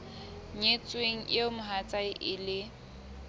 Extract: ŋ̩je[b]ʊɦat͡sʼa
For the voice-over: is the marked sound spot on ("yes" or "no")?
no